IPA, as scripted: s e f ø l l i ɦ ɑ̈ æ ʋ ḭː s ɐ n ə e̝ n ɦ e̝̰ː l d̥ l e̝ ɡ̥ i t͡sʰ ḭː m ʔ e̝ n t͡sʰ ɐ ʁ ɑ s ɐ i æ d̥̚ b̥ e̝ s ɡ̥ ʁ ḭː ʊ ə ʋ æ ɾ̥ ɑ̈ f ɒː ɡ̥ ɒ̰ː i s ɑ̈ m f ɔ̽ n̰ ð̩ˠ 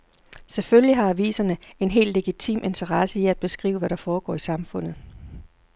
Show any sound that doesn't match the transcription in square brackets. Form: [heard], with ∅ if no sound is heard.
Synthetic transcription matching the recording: s e f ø l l i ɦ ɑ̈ æ ʋ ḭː s ɐ n ə e̝ n ɦ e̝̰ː l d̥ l e̝ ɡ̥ i t͡sʰ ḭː m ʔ e̝ n t͡sʰ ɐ ʁ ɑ s [ə] i æ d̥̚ b̥ e̝ s ɡ̥ ʁ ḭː ʊ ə ʋ æ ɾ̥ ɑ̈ f ɒː ɡ̥ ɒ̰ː i s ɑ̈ m f ɔ̽ n̰ ð̩ˠ